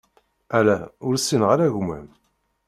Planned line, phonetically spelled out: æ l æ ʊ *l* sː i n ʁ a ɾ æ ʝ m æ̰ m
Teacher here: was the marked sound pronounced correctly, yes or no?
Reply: no